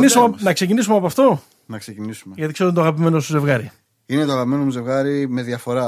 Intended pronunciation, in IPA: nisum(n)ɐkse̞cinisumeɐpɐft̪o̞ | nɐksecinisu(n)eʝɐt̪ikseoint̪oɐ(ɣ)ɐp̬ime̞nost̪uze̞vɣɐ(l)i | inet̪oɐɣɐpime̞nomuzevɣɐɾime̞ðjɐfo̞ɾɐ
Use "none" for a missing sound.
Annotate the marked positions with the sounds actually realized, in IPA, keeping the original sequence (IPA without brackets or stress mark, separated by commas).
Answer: n, m, ɣ, ɾ